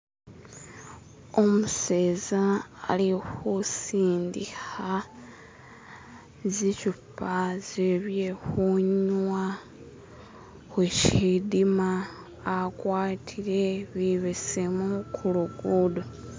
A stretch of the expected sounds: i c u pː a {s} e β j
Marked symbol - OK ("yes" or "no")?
no